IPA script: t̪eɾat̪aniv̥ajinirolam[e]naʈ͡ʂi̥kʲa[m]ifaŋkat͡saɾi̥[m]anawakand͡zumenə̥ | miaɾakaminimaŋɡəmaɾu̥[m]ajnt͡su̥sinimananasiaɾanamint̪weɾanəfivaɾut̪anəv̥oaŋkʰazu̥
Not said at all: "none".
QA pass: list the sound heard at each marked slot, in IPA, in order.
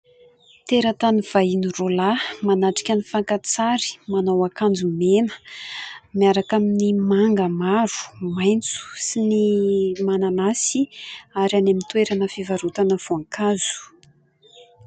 a, n, m, m

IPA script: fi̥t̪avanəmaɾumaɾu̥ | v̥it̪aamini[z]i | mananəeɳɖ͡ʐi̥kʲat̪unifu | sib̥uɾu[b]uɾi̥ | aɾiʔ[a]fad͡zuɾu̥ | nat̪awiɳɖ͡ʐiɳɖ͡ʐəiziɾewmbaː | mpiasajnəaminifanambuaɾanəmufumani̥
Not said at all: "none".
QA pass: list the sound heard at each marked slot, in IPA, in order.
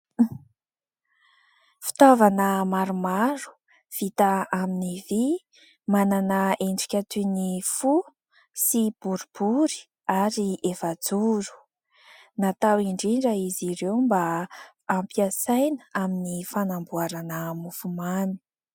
v, b, e

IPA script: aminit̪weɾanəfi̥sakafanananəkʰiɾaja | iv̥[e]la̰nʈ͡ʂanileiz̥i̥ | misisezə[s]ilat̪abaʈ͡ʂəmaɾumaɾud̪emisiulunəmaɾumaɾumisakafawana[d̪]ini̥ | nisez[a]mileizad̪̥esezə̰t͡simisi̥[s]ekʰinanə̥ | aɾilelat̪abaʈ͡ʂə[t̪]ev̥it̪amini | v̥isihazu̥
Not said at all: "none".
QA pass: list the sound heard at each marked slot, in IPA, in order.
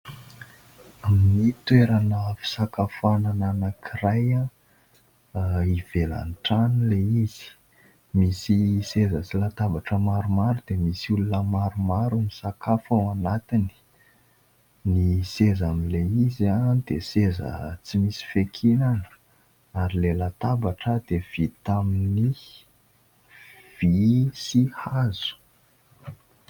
e, t͡s, t̪, a, f, d̪

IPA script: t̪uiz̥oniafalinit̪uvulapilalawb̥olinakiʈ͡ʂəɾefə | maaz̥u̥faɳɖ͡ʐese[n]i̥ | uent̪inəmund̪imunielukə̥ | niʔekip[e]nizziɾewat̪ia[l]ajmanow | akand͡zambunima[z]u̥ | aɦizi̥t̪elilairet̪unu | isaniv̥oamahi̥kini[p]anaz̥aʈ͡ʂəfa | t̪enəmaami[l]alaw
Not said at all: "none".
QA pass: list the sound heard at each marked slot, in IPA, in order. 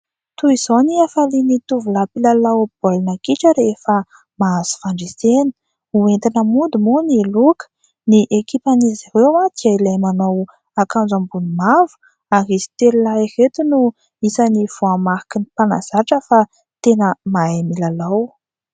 n, a, l, v, p, l

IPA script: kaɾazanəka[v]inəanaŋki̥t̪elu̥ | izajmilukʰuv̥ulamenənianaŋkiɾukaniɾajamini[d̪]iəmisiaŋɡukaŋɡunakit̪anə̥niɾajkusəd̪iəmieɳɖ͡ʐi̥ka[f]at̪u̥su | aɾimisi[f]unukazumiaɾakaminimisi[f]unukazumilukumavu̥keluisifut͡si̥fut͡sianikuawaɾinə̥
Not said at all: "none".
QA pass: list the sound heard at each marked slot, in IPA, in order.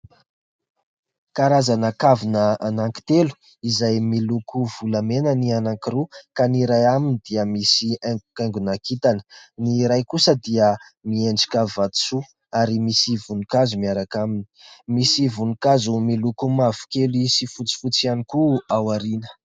v, d̪, v, v, v

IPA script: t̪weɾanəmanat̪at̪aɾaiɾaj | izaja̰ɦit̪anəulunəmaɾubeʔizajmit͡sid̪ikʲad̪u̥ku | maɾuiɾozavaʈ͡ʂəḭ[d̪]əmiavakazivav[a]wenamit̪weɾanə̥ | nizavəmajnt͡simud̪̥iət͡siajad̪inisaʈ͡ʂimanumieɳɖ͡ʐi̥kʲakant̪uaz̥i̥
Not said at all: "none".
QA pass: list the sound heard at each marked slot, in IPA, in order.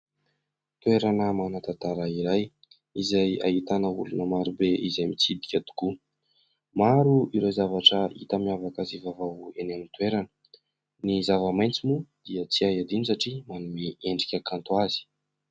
t̪, a

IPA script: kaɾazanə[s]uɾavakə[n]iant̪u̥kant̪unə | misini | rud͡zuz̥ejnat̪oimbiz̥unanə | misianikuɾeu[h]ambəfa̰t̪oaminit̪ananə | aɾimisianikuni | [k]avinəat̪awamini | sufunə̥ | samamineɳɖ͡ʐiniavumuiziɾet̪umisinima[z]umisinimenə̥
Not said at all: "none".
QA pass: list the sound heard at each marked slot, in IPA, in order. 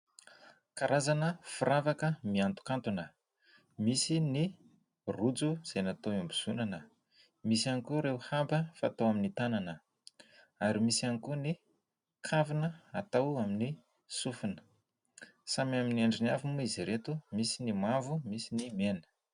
f, m, h, kʰ, v

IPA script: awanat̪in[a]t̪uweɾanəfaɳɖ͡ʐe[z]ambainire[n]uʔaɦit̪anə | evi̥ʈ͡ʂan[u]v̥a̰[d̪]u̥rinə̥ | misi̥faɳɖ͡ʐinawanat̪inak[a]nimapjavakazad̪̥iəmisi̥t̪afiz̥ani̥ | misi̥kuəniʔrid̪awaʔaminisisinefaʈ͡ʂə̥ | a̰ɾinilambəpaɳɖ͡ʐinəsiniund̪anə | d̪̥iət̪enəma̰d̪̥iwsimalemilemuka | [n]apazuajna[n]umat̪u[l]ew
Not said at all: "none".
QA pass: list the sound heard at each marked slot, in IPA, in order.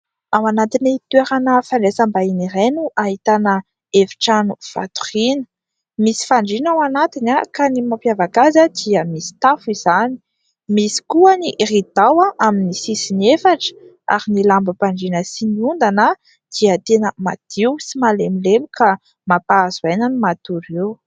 i, s, n, u, t̪, a, m, n, ɾ

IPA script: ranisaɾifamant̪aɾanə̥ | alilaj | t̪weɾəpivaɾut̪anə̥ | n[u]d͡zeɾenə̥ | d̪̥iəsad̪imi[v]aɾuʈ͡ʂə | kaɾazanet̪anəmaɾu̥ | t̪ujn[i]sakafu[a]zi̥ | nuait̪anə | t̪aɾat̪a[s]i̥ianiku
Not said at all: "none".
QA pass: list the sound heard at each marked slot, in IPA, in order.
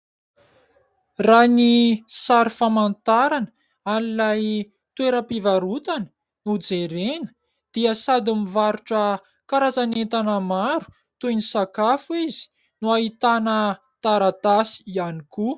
u, v, i, i, s

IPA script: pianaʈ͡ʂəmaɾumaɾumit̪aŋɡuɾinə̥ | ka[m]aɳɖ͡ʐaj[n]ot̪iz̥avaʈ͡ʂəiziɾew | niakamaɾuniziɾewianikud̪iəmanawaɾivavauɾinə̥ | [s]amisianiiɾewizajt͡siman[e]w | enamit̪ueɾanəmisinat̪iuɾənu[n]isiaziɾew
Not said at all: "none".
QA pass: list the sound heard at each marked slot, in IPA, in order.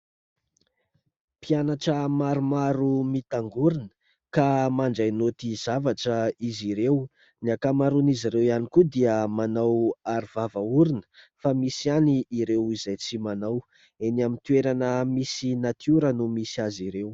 m, n, f, a, m

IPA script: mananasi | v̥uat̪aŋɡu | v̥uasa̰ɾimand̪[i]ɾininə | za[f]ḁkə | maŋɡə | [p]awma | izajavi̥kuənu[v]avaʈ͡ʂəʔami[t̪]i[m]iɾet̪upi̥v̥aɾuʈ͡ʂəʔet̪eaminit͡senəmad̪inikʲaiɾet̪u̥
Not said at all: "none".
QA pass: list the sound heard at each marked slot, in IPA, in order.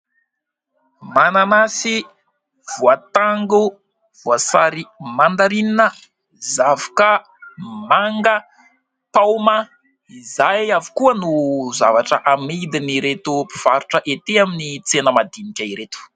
a, v, p, z, d̪, n

